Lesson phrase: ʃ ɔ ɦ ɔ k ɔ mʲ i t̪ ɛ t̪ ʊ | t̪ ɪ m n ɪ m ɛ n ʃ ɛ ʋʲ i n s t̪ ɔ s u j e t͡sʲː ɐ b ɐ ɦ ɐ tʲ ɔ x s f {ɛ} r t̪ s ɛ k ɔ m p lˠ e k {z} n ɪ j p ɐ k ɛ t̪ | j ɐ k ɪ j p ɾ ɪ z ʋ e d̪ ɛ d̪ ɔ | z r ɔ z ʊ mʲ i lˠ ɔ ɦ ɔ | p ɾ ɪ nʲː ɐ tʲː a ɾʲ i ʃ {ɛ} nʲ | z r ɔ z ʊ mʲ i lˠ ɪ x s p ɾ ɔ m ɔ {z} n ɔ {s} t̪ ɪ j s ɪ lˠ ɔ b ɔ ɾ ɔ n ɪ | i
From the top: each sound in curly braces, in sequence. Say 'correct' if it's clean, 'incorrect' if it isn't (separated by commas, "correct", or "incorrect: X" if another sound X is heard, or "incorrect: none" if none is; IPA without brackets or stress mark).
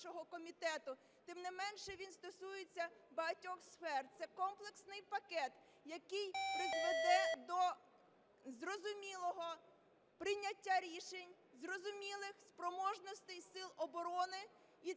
correct, incorrect: s, incorrect: e, incorrect: ʒ, correct